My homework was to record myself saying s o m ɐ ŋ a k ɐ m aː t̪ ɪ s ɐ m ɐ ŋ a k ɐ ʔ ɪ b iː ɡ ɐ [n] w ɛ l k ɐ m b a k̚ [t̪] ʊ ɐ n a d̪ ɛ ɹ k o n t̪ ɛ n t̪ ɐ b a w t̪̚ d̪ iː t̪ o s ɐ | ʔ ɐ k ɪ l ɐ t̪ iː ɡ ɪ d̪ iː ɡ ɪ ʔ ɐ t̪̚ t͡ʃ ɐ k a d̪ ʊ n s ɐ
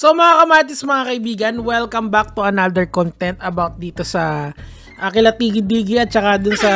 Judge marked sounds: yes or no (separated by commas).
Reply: yes, yes